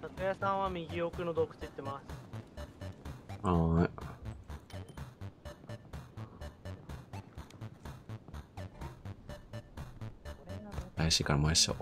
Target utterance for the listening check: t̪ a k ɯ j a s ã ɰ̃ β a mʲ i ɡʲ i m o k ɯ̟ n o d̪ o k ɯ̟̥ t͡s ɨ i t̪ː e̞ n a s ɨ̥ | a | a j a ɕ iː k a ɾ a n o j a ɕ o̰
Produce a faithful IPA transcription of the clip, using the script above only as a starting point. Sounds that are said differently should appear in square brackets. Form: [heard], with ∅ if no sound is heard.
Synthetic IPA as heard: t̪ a k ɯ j a s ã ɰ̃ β a mʲ i ɡʲ i [∅] o k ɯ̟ n o d̪ o k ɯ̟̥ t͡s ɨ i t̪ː e̞ [m] a s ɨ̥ | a | a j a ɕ iː k a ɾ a [m] o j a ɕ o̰